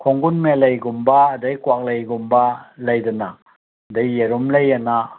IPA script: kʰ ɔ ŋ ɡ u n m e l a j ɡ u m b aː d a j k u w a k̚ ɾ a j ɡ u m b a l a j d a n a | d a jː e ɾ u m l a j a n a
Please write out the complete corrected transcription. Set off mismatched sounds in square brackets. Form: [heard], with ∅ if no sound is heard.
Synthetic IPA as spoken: kʰ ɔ ŋ ɡ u n m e l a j ɡ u m b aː d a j k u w a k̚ [l] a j ɡ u m b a l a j d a n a | d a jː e ɾ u m l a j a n a

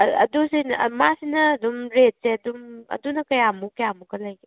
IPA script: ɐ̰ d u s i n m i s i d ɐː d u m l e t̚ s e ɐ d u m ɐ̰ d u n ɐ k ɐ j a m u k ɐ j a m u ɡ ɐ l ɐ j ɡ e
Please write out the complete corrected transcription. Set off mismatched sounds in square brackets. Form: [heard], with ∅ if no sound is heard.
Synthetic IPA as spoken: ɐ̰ d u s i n m [a] s i [n] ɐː d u m [ɾ] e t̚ s e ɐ d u m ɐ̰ d u n ɐ k ɐ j a m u k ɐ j a m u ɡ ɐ l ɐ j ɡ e

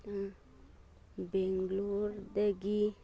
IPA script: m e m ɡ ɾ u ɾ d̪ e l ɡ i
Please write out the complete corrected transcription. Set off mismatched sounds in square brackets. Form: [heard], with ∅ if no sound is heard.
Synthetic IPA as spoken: [b] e [ŋ] ɡ [l] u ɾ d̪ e [∅] ɡ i

